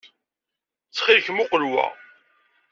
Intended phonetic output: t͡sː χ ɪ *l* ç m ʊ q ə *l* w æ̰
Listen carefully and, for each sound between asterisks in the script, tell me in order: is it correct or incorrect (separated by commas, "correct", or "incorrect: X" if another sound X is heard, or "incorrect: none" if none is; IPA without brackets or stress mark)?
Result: correct, correct